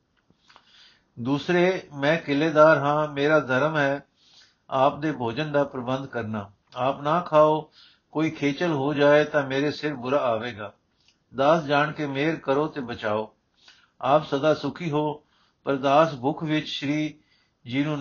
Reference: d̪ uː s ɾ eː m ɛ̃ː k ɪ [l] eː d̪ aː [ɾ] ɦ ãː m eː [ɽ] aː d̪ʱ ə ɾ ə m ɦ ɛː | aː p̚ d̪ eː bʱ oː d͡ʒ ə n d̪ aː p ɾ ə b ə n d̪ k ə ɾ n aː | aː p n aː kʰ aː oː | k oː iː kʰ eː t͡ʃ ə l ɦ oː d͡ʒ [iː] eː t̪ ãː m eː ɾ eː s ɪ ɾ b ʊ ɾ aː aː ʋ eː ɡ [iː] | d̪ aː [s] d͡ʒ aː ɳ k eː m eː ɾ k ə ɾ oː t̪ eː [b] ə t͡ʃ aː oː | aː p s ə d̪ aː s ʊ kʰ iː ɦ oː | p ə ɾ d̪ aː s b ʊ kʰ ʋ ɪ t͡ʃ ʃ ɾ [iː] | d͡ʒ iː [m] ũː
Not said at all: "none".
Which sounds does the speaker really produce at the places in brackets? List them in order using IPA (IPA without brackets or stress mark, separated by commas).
l, ɾ, ɾ, aː, aː, s, b, iː, n